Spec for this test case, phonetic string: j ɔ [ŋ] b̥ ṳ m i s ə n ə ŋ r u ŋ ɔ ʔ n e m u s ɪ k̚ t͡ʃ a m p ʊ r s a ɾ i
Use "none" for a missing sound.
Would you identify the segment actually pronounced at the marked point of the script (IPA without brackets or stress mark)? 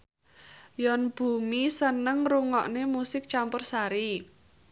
n